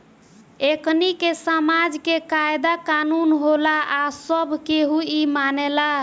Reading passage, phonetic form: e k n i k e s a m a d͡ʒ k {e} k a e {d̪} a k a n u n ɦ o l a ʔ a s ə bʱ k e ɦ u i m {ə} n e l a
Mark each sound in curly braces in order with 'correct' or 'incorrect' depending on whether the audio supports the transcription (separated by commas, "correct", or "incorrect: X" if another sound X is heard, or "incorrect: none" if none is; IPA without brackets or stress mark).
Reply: correct, correct, incorrect: a